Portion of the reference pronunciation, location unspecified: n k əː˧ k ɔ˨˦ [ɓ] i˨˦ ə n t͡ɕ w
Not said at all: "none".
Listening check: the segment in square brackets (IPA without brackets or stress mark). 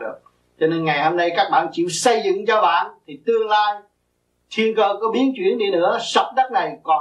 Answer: ɓ